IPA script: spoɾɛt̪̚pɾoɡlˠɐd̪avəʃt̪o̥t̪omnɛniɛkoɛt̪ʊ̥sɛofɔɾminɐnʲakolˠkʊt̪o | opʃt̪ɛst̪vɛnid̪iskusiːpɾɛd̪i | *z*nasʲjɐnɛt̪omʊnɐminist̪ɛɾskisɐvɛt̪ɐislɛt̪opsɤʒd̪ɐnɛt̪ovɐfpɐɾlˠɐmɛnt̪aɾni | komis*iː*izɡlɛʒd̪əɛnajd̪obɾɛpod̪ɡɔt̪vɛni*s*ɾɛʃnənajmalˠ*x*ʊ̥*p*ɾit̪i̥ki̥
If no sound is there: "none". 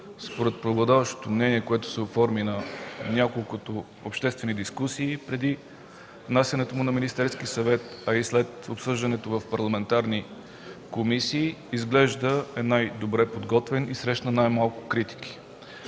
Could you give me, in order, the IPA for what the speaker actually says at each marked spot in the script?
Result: v, iː, s, k, k

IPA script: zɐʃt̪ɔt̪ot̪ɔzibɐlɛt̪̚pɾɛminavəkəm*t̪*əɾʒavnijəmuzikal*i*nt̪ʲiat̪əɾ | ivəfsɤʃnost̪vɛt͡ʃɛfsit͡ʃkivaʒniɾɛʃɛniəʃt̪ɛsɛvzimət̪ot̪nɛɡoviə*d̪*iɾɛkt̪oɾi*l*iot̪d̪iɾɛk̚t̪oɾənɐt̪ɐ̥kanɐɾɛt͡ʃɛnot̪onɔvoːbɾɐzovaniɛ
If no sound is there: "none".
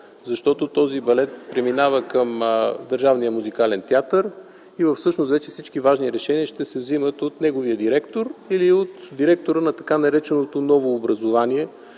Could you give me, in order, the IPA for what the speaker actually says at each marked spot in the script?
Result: d̪, ɛ, d̪, l

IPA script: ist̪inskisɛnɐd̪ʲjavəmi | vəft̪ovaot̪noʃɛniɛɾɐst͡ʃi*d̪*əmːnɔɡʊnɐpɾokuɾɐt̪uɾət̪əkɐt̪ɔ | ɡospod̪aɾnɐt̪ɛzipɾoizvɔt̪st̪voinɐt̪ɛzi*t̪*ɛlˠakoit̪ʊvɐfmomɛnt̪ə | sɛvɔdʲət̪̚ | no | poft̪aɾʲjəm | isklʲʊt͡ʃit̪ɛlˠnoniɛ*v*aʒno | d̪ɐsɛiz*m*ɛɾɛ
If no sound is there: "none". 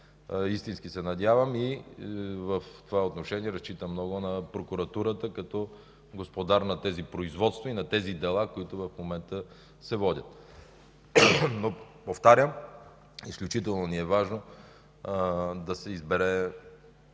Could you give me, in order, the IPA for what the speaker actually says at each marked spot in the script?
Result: t̪, d̪, v, b

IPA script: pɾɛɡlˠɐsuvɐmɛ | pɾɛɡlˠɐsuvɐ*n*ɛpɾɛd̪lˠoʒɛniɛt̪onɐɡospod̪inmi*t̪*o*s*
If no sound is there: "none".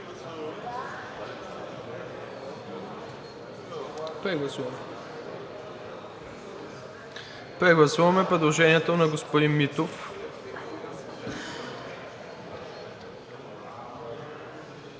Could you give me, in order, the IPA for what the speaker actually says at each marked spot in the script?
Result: m, t̪, f

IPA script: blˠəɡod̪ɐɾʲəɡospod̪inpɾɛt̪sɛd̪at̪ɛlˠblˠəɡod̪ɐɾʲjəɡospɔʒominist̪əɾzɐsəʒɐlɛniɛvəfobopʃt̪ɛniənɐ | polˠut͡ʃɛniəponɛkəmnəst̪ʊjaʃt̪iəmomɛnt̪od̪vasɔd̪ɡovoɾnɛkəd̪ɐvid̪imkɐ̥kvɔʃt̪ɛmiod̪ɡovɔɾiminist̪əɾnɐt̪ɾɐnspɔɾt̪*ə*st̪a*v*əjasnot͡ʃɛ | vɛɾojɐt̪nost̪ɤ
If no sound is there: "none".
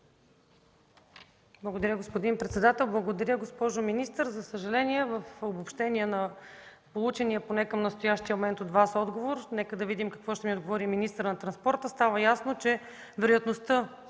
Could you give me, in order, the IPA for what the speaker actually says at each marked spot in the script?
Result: ə, v

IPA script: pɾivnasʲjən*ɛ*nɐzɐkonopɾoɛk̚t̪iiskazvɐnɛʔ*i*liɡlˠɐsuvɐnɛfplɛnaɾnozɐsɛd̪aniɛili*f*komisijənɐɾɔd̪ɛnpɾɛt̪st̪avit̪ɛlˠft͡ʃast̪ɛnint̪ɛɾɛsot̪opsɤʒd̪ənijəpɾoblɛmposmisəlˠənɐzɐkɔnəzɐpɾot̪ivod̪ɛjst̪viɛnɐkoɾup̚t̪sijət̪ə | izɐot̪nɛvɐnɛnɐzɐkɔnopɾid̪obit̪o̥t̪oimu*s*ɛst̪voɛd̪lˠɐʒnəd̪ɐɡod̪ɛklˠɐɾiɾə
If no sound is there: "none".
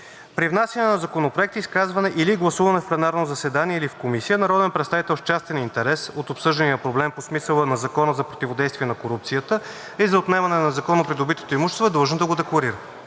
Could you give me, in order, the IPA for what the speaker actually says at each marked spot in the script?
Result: ɛ, i, f, ʃ

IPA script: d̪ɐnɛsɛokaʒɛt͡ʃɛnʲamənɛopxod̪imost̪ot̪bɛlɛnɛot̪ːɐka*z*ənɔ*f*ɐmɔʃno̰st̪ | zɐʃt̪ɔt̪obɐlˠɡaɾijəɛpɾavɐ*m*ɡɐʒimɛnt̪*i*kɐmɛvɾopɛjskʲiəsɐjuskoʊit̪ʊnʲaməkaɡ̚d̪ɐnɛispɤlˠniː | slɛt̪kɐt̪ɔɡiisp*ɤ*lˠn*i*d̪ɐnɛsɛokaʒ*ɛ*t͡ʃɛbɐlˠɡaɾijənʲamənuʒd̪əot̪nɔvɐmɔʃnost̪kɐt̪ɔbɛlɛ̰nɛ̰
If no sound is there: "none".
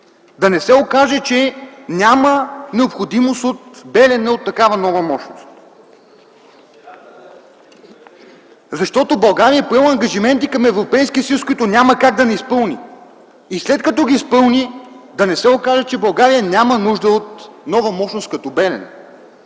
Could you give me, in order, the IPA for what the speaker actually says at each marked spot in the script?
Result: v, v, ŋ, i, ɤ, i, ɛ

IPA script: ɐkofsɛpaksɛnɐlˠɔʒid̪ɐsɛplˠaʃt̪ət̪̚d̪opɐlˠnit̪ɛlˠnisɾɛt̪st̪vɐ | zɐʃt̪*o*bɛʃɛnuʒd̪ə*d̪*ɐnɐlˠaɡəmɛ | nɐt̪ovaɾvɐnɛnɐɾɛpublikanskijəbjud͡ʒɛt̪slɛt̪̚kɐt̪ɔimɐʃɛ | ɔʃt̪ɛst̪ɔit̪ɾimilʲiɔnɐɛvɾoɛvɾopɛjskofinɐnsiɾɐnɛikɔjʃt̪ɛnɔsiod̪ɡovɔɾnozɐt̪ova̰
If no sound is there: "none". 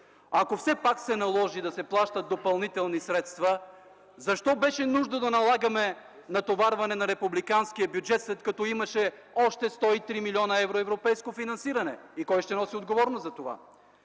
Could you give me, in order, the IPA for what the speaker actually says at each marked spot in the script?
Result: ɔ, d̪

